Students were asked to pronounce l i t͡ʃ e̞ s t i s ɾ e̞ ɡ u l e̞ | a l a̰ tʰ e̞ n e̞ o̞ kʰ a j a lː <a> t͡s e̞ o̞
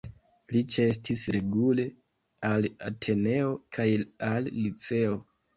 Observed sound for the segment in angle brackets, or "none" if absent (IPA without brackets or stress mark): i